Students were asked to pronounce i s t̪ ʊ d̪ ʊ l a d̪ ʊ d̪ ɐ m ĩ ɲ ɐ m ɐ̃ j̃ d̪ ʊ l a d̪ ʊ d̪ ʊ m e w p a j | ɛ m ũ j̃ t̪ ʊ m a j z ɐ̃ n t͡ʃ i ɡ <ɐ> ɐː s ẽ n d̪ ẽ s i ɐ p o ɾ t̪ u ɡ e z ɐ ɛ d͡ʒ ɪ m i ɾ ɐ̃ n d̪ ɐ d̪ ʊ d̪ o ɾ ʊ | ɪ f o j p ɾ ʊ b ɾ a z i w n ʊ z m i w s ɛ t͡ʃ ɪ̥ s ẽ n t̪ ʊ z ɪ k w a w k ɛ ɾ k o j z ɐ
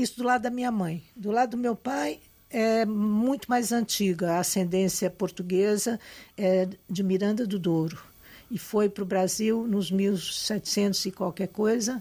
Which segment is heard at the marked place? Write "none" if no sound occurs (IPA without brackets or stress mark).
ɐ